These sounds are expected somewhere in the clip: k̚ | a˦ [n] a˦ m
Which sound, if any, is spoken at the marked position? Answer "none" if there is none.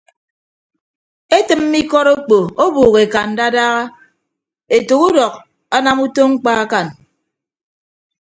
n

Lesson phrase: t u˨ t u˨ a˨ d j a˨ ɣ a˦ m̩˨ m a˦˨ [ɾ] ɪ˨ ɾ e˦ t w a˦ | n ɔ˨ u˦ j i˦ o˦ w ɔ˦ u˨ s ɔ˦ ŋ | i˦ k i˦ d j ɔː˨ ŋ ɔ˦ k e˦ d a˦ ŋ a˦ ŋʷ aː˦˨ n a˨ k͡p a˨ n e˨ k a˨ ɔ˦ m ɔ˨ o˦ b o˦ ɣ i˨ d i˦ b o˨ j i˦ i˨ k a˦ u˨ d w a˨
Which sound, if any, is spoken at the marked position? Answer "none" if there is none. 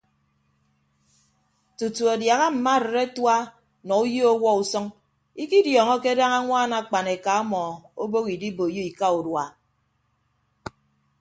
ɾ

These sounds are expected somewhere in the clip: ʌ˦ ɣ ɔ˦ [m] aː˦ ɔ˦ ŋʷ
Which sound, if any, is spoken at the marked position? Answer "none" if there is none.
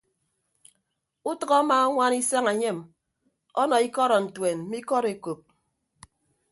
m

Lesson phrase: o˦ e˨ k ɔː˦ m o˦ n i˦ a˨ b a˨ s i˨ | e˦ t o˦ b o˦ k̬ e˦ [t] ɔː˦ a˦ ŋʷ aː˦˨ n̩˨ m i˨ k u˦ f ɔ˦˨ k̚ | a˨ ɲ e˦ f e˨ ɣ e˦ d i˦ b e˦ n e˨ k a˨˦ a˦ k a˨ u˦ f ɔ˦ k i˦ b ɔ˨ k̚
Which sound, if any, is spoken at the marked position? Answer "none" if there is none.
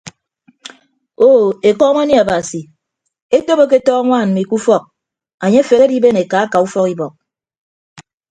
t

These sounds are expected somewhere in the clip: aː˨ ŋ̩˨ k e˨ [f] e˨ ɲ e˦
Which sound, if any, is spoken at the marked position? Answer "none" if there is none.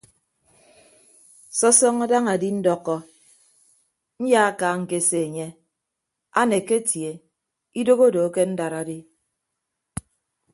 s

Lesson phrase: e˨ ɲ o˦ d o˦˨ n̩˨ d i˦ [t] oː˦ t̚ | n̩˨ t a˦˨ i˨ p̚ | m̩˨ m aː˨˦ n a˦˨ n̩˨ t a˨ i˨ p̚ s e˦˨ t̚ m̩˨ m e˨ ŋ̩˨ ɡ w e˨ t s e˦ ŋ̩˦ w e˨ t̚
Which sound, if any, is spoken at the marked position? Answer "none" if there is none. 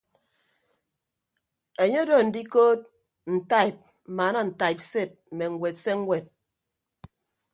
k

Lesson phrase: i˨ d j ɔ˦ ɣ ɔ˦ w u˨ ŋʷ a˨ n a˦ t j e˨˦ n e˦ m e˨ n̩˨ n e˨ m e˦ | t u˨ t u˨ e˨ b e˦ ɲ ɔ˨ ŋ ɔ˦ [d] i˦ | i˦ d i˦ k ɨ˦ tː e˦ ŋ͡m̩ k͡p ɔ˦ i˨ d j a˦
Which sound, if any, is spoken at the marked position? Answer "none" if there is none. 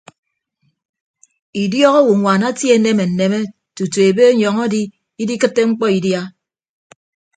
d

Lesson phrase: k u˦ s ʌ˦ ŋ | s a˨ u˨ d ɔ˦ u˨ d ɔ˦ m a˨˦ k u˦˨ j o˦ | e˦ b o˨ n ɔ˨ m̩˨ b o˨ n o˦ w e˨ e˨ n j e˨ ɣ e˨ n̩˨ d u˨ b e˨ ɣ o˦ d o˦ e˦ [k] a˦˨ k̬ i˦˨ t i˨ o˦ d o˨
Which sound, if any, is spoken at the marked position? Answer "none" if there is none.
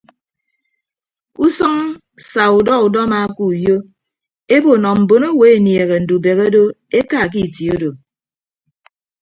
k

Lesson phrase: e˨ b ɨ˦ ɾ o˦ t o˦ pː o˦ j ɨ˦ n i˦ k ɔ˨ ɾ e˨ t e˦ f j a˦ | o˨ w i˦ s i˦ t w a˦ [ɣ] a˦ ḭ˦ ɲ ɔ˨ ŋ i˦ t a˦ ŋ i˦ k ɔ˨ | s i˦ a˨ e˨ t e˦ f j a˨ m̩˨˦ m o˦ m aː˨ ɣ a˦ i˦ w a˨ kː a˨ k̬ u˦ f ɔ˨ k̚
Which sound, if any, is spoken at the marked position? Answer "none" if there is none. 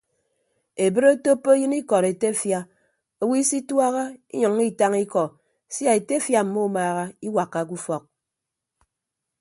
ɣ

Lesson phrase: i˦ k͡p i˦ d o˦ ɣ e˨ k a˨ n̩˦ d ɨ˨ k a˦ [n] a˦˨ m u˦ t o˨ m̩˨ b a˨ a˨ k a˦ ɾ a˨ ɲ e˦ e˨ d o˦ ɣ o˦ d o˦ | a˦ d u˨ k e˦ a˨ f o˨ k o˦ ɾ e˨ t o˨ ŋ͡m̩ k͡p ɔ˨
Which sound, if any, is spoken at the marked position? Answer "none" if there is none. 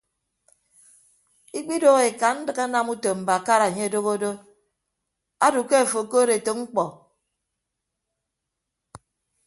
n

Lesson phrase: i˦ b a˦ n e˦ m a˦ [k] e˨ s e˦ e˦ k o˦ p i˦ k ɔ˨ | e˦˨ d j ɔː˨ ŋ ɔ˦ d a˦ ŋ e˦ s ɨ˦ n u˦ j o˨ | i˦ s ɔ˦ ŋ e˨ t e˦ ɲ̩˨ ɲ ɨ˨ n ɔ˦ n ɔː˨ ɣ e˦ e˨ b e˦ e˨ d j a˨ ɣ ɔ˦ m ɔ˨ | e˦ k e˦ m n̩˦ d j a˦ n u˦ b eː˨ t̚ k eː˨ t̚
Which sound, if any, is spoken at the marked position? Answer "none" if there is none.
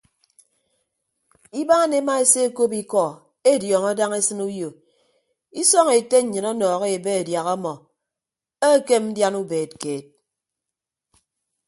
none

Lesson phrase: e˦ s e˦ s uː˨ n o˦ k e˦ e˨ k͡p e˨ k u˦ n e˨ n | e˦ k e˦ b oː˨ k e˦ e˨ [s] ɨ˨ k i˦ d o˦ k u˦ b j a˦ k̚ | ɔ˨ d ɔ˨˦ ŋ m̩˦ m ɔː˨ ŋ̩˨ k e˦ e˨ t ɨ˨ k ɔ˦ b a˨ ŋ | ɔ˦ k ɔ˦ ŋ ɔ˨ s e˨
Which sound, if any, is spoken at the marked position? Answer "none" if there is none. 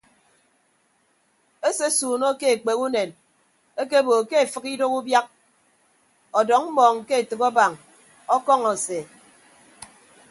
f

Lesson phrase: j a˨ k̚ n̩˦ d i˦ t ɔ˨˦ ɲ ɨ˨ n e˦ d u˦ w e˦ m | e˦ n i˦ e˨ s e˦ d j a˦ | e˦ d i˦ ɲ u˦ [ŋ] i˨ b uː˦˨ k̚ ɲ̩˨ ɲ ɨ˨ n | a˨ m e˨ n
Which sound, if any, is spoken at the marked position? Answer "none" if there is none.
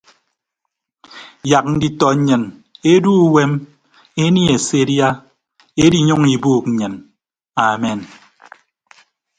ŋ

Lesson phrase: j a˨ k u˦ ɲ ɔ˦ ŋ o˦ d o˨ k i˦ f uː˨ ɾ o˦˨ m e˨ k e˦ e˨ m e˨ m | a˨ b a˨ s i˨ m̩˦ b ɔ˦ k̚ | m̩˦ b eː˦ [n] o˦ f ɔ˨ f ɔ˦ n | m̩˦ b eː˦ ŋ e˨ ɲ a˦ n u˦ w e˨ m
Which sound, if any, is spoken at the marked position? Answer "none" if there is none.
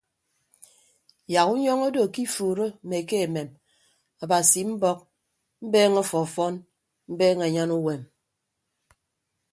ŋ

